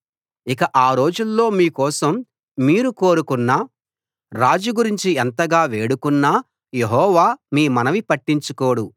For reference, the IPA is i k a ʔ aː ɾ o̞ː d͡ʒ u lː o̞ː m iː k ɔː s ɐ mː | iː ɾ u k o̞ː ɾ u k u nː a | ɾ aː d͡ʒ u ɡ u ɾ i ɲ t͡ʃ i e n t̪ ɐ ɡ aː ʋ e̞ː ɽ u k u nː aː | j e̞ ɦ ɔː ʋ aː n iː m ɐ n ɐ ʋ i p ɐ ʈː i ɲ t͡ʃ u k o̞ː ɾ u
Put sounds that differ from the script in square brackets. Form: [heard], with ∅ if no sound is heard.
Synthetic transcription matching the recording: i k [ɐ] ʔ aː ɾ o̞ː d͡ʒ u lː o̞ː m iː k ɔː s ɐ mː | iː ɾ u k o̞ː ɾ u k u nː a | ɾ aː d͡ʒ u ɡ u ɾ i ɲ t͡ʃ i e n t̪ ɐ ɡ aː ʋ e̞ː ɽ u k u nː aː | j e̞ ɦ ɔː ʋ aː [m] iː m ɐ n ɐ ʋ i p ɐ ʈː i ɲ t͡ʃ u k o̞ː [ɽ] u